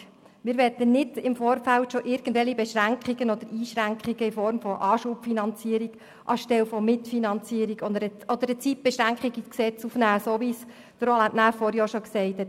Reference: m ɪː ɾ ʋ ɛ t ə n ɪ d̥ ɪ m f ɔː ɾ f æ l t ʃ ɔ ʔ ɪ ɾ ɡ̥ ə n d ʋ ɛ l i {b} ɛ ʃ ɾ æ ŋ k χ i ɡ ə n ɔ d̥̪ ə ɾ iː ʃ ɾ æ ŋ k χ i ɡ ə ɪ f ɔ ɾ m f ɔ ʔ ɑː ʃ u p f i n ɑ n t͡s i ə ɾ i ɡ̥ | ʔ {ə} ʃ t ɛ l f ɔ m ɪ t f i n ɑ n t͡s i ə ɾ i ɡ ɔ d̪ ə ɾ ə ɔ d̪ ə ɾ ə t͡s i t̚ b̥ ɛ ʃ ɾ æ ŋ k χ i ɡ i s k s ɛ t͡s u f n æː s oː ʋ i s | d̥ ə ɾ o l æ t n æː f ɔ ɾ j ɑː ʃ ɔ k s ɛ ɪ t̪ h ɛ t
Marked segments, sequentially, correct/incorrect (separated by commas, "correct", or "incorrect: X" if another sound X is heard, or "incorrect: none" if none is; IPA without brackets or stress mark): correct, incorrect: ɑ